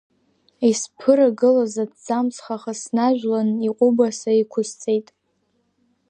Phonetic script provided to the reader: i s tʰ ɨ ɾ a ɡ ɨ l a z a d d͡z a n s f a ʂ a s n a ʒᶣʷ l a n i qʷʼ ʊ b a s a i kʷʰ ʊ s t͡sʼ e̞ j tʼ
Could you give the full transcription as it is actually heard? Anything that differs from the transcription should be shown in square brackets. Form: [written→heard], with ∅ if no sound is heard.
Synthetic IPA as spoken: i s [tʰ→pʰ] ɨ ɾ a ɡ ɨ l a z a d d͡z a [n→m] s [f→χ] a [ʂ→χ] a s n a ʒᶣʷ l a n i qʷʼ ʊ b a s a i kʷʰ ʊ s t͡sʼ e̞ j tʼ